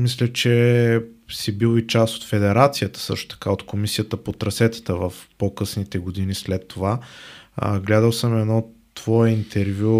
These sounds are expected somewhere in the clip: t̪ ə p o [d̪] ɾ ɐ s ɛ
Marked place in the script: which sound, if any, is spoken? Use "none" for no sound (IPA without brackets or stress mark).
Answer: t̪